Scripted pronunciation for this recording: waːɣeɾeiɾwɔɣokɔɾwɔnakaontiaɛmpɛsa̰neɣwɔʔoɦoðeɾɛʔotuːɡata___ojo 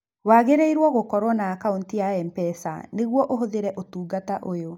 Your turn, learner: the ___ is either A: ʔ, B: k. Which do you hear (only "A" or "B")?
A